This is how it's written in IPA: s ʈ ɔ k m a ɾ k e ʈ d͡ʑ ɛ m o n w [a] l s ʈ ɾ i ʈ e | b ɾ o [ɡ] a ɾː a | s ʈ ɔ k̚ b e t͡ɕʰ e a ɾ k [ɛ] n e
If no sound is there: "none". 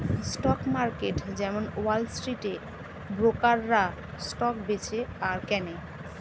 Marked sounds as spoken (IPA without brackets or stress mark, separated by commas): a, k, ɛ